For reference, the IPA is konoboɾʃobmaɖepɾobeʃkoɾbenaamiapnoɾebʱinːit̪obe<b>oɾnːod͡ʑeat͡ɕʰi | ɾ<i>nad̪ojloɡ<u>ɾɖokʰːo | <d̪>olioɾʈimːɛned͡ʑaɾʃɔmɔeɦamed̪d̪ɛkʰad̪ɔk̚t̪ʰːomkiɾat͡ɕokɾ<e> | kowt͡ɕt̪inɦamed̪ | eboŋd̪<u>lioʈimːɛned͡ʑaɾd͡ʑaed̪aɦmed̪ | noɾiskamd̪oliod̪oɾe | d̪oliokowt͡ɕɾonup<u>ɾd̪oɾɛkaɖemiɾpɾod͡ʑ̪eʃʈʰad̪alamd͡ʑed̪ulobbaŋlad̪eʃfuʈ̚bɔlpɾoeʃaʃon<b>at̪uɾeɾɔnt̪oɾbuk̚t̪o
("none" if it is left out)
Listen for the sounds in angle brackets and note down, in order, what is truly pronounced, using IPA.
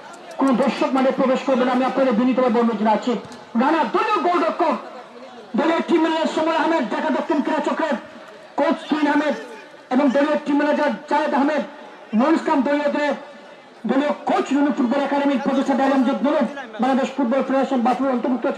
b, a, o, d̪, e, o, u, b

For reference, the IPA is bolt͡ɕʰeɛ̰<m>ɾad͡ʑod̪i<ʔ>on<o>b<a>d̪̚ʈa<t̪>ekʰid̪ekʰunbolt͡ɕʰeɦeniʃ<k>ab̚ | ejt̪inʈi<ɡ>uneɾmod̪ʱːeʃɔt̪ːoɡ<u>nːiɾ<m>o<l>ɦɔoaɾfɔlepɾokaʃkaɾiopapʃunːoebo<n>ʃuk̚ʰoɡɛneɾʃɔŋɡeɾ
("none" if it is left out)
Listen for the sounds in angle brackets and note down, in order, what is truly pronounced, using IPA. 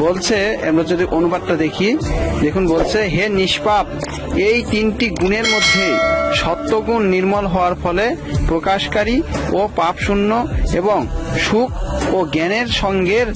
m, ʔ, u, a, d̪, p, ɡ, u, m, l, ŋ

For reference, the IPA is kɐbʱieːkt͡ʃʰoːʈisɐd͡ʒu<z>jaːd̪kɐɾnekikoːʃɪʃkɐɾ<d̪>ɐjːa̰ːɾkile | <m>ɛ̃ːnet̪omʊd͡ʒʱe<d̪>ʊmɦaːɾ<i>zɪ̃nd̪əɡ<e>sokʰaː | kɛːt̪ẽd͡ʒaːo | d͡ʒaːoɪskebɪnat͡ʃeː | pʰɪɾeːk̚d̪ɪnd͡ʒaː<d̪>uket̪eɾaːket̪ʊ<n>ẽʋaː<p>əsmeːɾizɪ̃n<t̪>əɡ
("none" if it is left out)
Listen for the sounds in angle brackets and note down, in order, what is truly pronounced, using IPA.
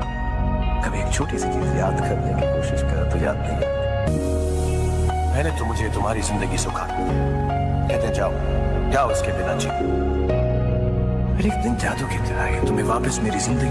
z, t̪, m, t̪, i, i, d̪, m, p, d̪

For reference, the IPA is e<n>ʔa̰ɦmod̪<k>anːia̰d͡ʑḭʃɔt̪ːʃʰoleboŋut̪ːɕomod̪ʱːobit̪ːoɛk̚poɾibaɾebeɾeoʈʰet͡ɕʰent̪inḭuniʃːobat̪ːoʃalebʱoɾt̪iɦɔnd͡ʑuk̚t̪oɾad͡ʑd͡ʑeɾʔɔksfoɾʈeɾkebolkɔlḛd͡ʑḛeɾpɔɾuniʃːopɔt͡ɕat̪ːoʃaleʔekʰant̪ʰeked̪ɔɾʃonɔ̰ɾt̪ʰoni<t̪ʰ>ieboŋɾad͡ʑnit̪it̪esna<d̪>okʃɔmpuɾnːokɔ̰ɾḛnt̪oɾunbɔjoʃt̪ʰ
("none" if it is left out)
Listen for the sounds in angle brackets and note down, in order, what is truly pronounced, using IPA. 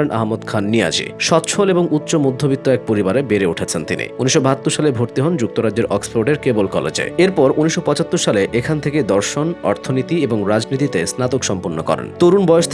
n, kʰ, t̪, t̪

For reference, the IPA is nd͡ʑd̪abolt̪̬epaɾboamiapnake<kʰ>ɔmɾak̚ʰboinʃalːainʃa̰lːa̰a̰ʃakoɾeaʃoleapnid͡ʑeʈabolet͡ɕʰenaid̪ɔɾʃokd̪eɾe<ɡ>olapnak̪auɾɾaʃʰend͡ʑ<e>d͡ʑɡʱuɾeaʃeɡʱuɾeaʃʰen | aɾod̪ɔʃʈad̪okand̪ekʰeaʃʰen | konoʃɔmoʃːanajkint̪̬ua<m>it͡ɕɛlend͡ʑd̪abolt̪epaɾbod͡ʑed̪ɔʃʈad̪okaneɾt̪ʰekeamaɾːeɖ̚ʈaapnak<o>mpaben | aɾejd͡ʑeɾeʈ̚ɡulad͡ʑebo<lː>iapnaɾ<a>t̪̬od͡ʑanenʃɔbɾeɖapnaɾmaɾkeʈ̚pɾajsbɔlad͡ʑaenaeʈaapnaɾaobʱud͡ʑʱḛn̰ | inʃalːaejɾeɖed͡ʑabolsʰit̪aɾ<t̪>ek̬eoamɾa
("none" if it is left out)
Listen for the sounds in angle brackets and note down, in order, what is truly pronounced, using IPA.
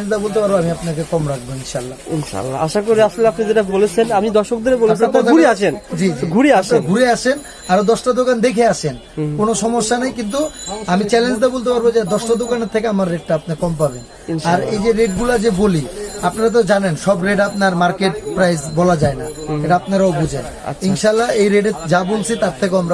k, b, i, m, ɔ, l, a, t̪ʰ

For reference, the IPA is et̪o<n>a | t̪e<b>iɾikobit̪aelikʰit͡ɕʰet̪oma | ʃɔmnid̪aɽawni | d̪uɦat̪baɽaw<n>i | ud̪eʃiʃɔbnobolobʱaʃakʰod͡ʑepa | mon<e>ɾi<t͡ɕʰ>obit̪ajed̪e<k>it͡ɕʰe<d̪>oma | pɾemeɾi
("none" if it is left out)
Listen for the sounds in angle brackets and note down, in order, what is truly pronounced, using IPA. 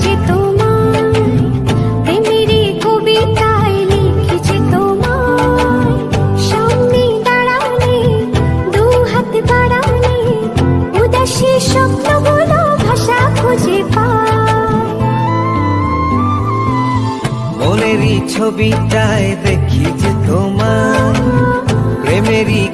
m, m, n, e, t͡ɕʰ, kʰ, t̪

